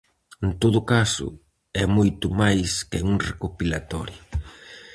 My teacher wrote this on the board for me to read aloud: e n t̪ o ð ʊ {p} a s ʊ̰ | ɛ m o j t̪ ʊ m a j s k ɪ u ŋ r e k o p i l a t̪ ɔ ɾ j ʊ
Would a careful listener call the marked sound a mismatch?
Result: yes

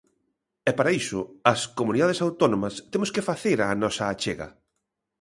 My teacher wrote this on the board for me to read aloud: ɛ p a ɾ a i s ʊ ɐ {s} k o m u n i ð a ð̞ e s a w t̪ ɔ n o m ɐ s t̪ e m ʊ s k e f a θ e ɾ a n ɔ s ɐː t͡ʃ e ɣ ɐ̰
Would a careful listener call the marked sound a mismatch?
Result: no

